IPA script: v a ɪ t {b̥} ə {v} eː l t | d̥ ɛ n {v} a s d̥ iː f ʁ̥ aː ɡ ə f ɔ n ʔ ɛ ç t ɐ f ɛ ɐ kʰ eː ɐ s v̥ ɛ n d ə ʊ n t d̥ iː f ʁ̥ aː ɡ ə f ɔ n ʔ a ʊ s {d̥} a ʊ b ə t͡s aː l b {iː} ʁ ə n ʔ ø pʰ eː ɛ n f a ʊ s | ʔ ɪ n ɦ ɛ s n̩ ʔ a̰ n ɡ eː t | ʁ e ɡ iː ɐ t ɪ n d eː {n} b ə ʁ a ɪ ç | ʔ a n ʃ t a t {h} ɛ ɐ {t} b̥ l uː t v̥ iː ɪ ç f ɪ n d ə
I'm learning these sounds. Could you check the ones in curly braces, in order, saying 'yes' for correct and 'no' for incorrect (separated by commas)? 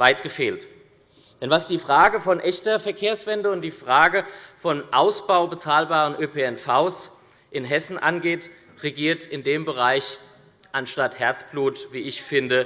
no, no, yes, no, no, no, yes, no